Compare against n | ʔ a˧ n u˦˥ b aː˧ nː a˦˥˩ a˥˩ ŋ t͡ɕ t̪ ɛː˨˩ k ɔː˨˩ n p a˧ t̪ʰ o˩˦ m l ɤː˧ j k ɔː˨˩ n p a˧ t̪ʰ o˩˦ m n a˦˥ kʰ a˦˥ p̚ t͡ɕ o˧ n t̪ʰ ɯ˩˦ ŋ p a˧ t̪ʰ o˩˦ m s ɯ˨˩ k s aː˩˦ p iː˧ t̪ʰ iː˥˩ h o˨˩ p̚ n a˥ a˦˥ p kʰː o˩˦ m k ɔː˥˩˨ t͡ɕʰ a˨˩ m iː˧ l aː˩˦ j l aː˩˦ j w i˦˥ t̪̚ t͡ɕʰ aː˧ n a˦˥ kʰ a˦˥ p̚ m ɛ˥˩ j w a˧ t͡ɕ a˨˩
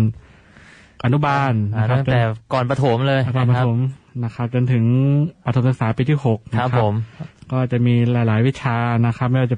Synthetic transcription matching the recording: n | ʔ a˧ n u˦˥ b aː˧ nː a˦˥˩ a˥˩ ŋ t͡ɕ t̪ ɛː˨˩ k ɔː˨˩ n p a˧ t̪ʰ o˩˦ m l ɤː˧ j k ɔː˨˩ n p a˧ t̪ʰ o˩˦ m n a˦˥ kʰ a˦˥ p̚ t͡ɕ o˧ n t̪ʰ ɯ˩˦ ŋ p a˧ t̪ʰ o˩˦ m s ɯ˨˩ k s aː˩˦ p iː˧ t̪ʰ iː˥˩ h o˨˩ k̚ n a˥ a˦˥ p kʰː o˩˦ m k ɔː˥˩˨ t͡ɕ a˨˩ m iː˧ l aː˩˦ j l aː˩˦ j w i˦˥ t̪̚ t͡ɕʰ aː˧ n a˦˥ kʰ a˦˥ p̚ m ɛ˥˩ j w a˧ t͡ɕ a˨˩